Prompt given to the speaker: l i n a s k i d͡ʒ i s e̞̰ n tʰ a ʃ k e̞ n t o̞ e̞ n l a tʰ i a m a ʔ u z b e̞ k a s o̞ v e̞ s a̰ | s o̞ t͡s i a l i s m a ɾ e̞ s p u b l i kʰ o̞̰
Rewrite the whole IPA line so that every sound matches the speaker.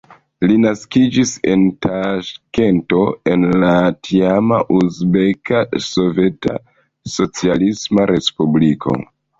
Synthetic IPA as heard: l i n a s k i d͡ʒ i s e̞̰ n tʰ a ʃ k e̞ n t o̞ e̞ n l a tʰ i a m a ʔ u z b e̞ k a s o̞ v e̞ t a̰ | s o̞ t͡s i a l i s m a ɾ e̞ s p u b l i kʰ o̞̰